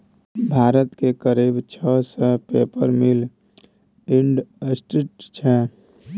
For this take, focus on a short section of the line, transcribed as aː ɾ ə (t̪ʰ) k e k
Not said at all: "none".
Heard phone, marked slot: t̪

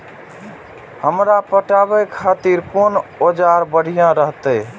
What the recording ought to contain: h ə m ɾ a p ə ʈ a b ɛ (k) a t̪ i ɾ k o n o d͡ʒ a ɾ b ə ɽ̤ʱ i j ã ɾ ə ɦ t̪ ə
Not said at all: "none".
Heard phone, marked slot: kʰ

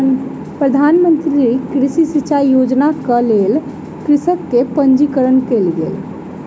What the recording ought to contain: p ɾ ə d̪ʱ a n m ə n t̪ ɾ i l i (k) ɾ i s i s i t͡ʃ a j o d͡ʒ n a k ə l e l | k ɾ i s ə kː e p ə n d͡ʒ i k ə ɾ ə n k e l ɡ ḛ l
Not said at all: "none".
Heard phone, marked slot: k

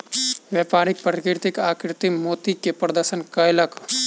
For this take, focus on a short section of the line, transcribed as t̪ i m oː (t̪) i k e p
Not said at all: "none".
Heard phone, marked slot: t̪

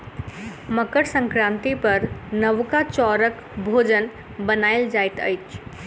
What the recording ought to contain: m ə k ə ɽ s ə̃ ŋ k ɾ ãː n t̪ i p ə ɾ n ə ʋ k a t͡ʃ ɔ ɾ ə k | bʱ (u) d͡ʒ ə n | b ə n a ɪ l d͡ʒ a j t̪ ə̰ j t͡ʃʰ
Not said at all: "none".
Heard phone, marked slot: o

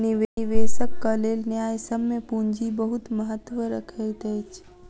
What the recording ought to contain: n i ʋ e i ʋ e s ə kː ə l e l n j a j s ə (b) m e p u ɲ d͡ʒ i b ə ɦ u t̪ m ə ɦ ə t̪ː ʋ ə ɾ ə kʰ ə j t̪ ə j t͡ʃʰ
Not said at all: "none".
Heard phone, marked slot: b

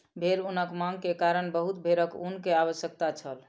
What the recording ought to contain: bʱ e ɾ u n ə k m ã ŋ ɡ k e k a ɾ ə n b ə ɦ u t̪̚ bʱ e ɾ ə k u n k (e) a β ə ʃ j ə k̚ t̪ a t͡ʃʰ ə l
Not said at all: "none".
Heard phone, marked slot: e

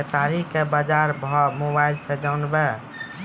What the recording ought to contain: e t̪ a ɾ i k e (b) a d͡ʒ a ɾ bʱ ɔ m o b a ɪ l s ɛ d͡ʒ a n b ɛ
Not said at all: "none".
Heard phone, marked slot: b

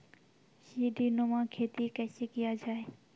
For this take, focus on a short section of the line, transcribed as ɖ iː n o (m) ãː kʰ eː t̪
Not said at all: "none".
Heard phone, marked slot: m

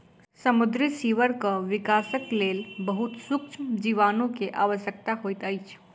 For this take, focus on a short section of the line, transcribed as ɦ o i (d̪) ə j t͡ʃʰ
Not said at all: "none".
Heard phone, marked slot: t̪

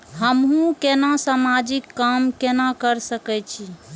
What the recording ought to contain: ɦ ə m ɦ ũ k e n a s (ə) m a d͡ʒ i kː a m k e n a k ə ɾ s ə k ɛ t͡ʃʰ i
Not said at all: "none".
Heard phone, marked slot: a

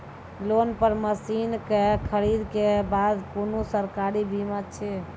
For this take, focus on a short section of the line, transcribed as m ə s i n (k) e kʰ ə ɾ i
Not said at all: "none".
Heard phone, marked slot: k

